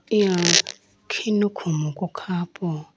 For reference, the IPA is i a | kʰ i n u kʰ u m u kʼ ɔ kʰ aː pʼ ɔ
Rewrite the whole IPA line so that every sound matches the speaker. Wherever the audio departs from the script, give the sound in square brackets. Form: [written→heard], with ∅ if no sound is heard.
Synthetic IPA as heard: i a | kʰ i n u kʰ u m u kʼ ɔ kʰ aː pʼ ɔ